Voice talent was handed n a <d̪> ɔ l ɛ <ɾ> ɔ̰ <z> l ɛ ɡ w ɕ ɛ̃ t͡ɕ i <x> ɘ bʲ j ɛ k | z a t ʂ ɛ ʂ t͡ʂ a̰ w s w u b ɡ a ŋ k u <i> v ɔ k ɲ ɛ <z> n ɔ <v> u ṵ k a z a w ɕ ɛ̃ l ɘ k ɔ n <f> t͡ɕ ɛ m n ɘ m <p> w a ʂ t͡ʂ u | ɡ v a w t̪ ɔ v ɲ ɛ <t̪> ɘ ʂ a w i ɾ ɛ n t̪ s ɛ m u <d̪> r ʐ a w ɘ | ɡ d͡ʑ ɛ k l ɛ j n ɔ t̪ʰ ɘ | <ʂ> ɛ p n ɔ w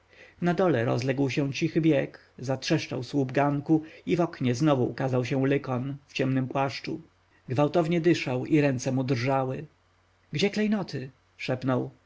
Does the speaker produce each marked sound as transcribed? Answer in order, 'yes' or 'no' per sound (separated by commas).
yes, yes, yes, yes, yes, yes, yes, yes, yes, no, yes, yes